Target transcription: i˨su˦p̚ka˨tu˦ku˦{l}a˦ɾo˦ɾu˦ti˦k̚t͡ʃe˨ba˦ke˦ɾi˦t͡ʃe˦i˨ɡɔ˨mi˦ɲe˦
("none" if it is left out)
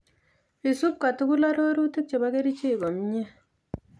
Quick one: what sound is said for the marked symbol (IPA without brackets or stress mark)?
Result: l